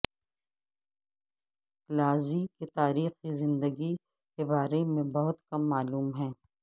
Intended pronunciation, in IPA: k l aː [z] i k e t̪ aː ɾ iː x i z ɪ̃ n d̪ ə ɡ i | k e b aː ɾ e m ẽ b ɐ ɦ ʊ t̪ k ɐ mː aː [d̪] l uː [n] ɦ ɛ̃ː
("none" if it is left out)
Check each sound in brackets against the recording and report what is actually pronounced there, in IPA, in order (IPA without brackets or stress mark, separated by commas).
z, none, m